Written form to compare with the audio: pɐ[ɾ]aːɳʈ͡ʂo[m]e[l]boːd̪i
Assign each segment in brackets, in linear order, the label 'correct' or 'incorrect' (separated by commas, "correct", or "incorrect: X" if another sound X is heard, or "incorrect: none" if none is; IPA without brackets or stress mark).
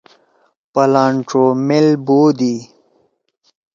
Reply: incorrect: l, correct, correct